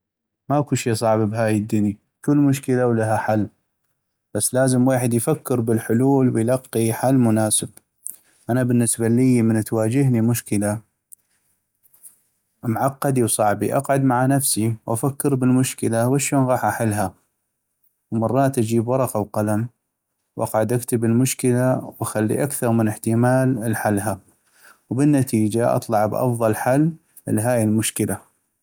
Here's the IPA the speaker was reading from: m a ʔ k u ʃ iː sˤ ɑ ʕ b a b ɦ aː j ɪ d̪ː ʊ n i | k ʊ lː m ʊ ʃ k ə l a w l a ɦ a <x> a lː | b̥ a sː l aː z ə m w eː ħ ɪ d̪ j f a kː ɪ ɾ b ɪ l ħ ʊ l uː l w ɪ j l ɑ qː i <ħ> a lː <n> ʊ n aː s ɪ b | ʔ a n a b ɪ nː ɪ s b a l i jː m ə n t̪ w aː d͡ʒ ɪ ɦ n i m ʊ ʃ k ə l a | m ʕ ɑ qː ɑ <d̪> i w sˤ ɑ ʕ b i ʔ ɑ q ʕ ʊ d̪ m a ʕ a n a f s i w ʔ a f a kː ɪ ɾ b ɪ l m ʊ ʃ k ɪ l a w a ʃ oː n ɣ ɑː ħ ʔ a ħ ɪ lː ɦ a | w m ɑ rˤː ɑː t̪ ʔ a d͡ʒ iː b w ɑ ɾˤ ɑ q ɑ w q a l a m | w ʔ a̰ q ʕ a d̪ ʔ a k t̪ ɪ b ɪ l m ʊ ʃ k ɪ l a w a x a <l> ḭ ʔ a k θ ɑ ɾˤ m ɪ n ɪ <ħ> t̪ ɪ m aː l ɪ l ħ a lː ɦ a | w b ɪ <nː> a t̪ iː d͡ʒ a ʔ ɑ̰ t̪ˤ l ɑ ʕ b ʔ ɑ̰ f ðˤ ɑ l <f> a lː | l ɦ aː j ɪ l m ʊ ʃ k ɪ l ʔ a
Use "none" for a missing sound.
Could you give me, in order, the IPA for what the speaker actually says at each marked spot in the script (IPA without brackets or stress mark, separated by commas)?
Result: ħ, ħ, m, d̪, lː, ħ, nː, ħ